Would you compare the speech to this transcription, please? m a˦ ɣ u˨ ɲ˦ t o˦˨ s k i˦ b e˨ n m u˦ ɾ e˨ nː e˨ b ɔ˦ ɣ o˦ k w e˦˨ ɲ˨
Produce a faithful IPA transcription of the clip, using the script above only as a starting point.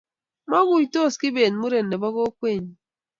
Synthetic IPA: m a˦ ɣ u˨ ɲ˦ t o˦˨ s k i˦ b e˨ n m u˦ ɾ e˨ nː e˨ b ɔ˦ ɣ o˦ k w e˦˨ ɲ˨